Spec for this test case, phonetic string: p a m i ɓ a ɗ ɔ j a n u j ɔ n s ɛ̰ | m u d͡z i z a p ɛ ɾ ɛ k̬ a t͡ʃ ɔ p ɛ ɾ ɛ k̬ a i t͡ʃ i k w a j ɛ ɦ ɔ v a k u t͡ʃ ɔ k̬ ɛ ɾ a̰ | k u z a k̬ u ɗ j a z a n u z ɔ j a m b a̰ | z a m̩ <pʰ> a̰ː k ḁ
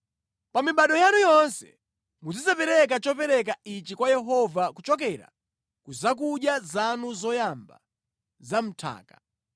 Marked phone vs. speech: incorrect: tʰ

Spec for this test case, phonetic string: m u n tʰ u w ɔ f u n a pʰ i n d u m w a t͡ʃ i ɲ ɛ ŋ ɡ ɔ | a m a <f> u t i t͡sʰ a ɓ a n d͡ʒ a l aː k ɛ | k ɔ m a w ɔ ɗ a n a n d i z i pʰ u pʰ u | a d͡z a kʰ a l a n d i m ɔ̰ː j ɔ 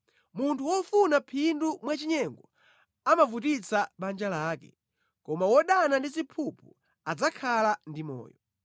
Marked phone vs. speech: incorrect: v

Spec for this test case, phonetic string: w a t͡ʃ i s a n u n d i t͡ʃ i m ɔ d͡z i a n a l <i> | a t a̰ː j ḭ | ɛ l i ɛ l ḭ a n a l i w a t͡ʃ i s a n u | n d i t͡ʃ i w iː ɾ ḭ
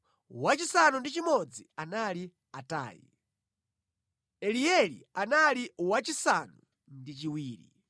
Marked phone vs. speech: correct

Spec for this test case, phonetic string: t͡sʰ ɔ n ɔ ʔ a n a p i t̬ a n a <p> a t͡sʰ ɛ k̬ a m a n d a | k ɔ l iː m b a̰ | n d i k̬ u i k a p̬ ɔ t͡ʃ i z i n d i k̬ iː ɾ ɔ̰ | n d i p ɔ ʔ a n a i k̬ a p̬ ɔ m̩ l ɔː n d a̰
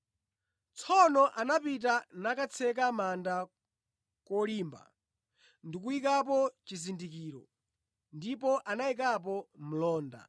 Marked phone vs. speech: incorrect: k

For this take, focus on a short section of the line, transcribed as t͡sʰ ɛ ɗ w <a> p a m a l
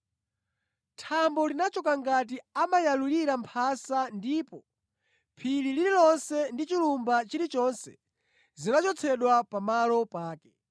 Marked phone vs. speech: correct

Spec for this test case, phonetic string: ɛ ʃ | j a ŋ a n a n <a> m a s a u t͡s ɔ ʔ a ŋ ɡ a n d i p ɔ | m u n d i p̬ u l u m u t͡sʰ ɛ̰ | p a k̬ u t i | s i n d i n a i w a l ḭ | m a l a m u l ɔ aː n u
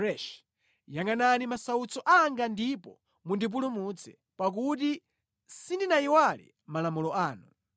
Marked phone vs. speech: incorrect: i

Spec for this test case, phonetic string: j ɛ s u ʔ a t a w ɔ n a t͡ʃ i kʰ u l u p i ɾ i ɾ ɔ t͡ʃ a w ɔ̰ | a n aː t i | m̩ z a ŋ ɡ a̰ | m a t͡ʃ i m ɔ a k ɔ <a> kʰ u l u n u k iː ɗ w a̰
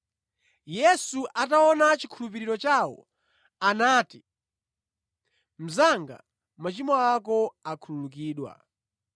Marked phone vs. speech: correct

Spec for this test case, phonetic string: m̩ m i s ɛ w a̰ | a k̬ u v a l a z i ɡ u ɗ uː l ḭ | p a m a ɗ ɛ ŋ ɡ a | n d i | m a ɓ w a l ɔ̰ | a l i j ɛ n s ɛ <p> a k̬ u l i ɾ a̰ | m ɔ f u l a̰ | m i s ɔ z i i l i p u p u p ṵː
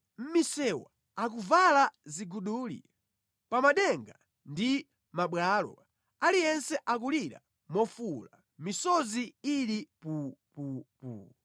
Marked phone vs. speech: incorrect: ʔ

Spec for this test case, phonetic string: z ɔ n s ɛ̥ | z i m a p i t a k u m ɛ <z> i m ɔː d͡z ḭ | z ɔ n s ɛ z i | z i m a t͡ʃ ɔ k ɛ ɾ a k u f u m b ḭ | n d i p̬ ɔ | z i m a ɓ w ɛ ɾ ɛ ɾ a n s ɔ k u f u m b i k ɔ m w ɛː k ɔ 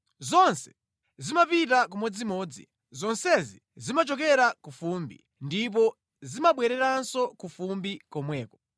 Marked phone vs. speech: incorrect: d͡z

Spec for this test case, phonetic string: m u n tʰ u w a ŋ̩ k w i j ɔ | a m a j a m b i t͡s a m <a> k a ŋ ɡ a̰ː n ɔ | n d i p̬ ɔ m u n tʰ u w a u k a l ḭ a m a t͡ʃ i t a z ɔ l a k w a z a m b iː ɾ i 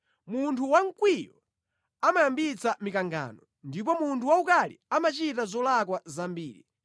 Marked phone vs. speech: incorrect: i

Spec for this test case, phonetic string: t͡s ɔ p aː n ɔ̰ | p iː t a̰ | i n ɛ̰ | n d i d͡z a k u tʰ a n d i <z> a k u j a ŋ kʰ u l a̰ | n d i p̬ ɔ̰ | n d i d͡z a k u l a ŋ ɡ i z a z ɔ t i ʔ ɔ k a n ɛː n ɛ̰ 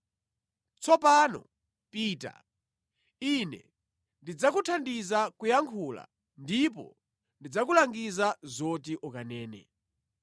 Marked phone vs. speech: correct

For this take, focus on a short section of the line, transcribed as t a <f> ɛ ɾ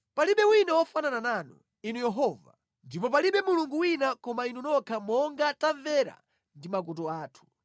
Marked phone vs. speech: incorrect: v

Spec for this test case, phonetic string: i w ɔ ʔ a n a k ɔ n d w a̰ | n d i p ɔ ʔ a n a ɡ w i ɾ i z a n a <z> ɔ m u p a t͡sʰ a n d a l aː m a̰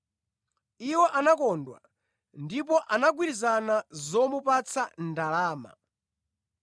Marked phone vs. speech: correct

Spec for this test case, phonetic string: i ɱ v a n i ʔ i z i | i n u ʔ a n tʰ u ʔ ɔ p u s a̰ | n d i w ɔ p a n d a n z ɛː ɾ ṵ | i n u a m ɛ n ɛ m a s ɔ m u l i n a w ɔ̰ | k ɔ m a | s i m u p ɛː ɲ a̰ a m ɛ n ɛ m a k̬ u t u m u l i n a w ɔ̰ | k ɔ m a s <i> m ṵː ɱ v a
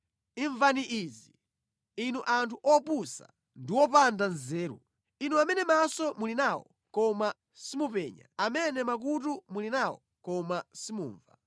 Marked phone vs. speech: correct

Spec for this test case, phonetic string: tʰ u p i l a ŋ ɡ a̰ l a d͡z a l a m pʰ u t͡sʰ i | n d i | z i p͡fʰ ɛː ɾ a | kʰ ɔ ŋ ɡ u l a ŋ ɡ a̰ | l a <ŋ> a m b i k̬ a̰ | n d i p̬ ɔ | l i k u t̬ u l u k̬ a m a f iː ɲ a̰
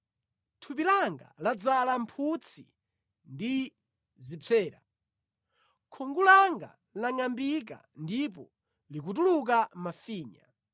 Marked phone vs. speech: correct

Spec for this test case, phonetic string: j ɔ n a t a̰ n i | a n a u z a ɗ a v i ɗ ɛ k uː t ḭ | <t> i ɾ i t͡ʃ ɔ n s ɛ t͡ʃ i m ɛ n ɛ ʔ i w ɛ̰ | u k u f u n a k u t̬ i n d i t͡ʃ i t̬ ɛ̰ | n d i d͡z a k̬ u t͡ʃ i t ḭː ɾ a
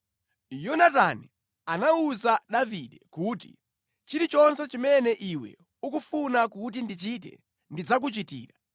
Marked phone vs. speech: incorrect: t͡ʃ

